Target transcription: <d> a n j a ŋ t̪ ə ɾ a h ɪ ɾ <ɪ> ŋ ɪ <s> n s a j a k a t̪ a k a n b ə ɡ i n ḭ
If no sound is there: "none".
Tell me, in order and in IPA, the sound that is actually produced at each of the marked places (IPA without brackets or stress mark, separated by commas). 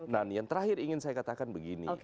n, i, none